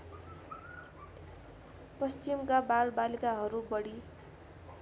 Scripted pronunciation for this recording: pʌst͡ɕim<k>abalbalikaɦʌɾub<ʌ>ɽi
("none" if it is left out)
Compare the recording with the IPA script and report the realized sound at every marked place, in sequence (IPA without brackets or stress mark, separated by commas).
k, ʌ